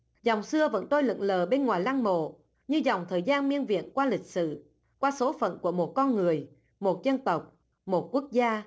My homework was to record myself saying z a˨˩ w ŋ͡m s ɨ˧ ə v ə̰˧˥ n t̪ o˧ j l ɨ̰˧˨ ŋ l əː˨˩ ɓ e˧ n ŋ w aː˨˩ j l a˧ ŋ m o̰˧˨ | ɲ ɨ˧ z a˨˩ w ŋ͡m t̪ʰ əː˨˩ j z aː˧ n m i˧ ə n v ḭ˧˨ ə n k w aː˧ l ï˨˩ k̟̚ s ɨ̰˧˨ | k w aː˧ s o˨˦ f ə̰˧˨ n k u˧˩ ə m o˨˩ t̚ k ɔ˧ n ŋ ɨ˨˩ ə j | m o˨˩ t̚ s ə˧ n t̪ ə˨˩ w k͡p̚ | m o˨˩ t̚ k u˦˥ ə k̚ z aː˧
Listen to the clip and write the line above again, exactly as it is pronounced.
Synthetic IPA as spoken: z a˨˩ w ŋ͡m s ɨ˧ ə v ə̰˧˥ n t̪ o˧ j l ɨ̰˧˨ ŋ l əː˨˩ ɓ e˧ n ŋ w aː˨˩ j l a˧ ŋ m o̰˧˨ | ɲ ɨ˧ z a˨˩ w ŋ͡m t̪ʰ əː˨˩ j z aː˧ n m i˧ ə n v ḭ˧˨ ə n k w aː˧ l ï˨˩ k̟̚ s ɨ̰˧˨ | k w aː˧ s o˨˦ f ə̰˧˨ n k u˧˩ ə m o˨˩ t̚ k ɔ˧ n ŋ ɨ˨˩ ə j | m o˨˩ t̚ z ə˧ n t̪ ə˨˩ w k͡p̚ | m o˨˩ t̚ k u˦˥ ə k̚ z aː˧